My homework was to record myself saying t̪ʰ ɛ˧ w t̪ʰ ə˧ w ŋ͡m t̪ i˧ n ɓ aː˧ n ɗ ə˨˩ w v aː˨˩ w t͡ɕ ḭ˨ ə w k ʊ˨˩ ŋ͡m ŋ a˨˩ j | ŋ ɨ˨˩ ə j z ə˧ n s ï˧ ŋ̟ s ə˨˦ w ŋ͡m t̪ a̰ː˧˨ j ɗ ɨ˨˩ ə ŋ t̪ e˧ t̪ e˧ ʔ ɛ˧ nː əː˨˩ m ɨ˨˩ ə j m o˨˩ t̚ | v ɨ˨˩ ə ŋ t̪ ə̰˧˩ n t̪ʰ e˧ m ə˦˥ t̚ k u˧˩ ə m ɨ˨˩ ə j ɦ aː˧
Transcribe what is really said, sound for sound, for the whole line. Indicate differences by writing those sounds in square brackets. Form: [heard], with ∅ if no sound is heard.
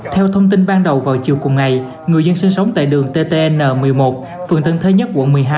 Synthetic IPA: t̪ʰ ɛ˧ w t̪ʰ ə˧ w ŋ͡m t̪ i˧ n ɓ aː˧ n ɗ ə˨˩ w v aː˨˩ w t͡ɕ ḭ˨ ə w k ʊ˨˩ ŋ͡m ŋ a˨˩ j | ŋ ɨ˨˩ ə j z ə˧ n s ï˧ ŋ̟ s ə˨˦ w ŋ͡m t̪ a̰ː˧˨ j ɗ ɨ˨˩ ə ŋ t̪ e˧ t̪ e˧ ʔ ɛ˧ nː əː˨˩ m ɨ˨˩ ə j m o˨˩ t̚ | [f] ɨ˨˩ ə ŋ t̪ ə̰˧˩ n t̪ʰ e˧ [ɲ] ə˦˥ t̚ k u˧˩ ə m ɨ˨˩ ə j ɦ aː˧